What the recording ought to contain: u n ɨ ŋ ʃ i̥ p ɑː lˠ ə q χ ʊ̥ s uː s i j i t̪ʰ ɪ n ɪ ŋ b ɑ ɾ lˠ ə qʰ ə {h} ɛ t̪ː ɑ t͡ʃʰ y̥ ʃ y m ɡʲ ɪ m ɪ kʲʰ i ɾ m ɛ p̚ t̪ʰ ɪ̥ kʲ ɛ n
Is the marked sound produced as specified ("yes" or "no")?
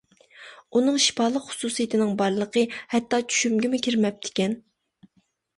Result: yes